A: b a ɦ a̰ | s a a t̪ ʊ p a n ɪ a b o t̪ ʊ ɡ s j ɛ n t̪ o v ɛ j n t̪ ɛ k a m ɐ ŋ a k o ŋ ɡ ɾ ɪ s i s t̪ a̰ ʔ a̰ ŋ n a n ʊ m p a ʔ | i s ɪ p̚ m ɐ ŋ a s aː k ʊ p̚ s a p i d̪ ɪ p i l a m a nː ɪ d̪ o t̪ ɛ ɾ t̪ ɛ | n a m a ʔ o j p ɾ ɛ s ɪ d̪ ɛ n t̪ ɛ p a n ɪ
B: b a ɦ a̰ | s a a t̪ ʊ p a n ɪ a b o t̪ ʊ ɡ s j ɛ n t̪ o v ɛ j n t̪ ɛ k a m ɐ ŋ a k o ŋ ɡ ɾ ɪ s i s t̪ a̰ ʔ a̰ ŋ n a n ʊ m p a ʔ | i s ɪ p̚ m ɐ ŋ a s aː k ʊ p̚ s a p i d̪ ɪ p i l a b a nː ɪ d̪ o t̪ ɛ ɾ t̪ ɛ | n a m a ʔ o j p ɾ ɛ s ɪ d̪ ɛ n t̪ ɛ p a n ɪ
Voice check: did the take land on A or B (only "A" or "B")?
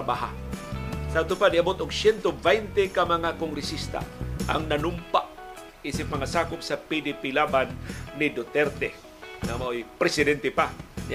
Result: B